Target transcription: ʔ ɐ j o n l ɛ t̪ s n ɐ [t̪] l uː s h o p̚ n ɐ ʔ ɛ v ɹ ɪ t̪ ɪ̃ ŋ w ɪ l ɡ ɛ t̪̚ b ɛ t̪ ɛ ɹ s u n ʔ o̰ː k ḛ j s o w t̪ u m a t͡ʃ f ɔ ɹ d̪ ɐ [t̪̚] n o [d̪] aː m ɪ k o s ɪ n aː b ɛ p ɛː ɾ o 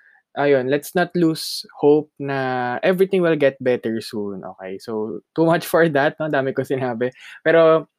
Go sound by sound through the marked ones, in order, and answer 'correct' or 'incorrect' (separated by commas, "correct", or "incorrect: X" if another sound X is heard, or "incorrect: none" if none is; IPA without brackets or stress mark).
correct, correct, correct